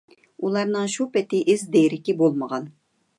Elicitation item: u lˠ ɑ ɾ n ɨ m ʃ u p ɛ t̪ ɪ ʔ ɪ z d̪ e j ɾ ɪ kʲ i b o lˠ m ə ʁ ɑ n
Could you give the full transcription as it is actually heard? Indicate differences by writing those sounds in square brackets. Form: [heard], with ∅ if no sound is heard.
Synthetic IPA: u lˠ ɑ ɾ n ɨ [ŋ] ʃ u p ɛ t̪ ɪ ʔ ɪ z d̪ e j ɾ ɪ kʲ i b o lˠ m ə ʁ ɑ n